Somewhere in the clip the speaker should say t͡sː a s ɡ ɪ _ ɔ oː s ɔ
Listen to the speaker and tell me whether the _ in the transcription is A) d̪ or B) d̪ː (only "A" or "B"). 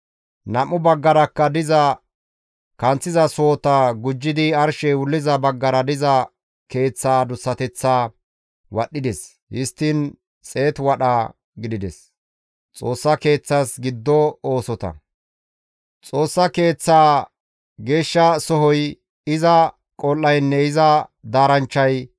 B